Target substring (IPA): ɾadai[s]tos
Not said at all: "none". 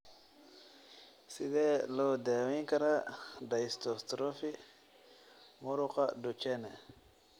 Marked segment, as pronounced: s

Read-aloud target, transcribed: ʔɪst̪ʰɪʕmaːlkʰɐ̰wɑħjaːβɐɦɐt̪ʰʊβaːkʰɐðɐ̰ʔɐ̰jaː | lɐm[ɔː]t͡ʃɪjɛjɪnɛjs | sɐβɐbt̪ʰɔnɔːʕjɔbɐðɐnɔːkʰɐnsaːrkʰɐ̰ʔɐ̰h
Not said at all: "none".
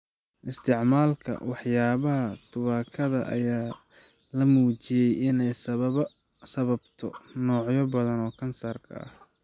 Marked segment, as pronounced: uː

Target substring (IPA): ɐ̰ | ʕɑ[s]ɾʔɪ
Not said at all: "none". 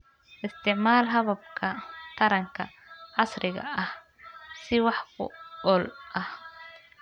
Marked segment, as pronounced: s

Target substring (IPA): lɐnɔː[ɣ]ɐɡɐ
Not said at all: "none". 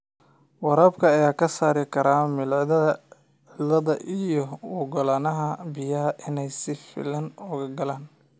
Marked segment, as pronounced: ɣ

